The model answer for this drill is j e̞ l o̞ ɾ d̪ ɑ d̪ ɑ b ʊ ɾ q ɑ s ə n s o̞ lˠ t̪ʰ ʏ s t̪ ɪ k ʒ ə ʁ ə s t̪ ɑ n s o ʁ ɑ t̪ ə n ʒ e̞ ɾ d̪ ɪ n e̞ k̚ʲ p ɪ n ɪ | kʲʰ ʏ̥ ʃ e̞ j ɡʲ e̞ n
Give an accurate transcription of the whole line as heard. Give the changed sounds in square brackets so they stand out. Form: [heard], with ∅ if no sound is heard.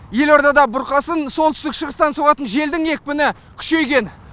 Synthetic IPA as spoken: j e̞ l o̞ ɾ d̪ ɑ d̪ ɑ b ʊ ɾ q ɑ s ə n s o̞ lˠ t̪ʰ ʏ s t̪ ɪ k [ʃ] ə ʁ ə s t̪ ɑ n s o ʁ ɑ t̪ ə n ʒ e̞ [l] d̪ ɪ [ŋ] e̞ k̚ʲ p ɪ n ɪ | kʲʰ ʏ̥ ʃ e̞ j ɡʲ e̞ n